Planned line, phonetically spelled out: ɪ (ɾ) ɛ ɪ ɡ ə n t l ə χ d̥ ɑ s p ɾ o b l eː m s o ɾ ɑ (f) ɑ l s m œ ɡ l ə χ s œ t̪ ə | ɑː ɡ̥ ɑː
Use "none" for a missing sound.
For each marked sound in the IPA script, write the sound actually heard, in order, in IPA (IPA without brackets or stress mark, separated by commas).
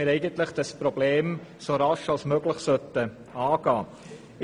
ɾ, ʃ